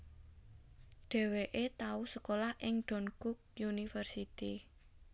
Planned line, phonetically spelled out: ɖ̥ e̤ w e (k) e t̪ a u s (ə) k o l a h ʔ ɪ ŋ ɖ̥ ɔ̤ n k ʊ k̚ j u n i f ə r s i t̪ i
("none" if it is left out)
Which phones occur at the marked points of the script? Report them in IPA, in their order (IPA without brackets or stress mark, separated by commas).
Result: ʔ, ə